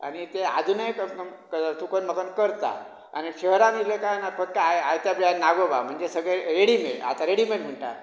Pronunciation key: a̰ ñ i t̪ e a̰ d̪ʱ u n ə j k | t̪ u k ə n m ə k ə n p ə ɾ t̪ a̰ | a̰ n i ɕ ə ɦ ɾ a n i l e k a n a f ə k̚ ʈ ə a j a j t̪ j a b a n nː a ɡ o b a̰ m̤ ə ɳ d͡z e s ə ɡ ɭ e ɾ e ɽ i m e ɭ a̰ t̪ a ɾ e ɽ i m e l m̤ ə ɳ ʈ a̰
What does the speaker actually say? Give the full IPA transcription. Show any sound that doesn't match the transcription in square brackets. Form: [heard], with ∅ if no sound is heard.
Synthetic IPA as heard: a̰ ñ i t̪ e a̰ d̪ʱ u n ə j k | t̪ u k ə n m ə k ə n [k] ə ɾ t̪ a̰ | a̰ n i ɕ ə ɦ ɾ a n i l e k a n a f ə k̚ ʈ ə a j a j t̪ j a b a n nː a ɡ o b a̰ m̤ ə ɳ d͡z e s ə ɡ ɭ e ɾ e ɽ i m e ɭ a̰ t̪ a ɾ e ɽ i m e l m̤ ə ɳ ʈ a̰